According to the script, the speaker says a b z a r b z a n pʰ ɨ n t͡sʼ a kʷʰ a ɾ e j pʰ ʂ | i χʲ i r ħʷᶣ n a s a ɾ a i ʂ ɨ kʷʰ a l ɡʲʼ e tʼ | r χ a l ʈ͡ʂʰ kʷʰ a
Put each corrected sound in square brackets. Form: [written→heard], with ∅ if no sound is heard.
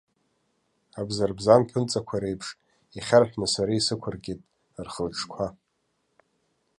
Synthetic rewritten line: a b z a r b z a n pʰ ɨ n t͡sʼ a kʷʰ a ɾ e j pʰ ʂ | i χʲ [i→a] r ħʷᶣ n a s a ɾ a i [ʂ→s] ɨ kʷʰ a [l→r] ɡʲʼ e tʼ | r χ [a→ə] l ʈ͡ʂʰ kʷʰ a